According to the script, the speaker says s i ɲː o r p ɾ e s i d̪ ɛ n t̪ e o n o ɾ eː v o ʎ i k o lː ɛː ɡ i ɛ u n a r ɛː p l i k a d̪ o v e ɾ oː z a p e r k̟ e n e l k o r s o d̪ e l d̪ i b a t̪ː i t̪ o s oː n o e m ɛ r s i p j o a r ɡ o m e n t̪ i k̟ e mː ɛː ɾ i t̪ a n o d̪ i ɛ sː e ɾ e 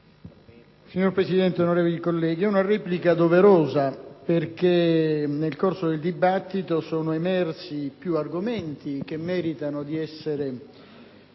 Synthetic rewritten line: s i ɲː o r p ɾ e s i d̪ ɛ n t̪ e o n o ɾ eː v o l i k o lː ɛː ɡ i ɛ u n a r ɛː p l i k a d̪ o v e ɾ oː z a p e r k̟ e n e l k o r s o d̪ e l d̪ i b a t̪ː i t̪ o s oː n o e m ɛ r s i p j u a r ɡ o m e n t̪ i k̟ e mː ɛː ɾ i t̪ a n o d̪ i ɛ sː e ɾ e